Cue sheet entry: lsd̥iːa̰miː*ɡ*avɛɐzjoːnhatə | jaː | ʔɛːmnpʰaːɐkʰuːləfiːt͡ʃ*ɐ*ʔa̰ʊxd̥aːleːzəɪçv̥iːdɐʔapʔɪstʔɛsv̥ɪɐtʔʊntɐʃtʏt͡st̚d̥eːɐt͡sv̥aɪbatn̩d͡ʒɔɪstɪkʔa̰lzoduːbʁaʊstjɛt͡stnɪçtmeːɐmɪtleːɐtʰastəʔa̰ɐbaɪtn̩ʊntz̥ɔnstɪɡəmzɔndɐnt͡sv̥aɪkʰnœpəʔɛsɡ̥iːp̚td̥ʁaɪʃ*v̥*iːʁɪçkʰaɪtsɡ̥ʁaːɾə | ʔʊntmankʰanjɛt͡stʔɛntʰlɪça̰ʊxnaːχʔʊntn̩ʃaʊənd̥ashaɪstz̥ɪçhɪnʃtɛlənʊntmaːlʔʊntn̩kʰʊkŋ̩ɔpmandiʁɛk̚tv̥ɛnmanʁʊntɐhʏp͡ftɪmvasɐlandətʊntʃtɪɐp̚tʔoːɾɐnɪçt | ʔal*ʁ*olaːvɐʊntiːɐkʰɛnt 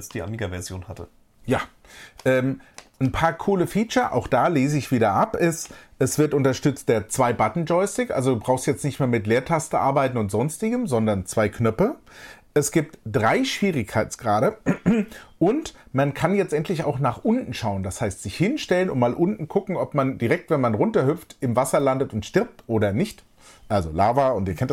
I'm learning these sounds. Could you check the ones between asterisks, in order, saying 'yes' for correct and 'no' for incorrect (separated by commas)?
yes, yes, yes, no